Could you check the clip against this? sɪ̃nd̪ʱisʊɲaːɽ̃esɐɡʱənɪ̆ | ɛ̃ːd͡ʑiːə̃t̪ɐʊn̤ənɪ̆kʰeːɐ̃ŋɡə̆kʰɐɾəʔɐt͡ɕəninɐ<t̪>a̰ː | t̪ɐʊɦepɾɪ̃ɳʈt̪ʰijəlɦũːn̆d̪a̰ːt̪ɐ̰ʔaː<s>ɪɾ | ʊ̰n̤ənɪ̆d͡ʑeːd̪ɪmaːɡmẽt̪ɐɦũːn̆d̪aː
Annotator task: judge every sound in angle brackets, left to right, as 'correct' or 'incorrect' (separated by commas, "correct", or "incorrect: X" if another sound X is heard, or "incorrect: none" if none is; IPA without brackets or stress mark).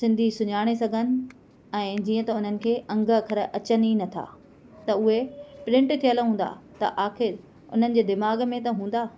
incorrect: t̪ʰ, incorrect: x